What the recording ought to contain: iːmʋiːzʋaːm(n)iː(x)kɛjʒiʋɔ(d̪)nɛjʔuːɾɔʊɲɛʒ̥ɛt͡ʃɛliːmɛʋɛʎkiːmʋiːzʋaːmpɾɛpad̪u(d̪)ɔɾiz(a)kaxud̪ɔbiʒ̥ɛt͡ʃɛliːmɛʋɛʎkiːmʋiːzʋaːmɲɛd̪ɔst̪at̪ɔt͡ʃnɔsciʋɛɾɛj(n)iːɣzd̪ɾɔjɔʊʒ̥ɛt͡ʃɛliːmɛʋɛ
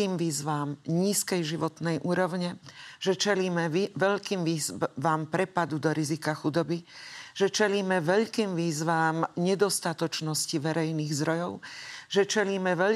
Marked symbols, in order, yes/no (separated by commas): no, no, no, yes, no, yes